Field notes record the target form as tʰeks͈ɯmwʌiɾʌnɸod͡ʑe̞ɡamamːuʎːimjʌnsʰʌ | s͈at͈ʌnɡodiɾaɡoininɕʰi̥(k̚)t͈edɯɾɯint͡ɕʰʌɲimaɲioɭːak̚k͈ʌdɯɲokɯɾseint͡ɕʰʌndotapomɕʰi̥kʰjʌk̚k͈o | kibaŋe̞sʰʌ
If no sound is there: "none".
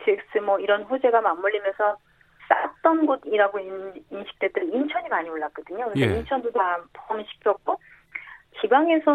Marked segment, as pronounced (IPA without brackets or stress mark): k̚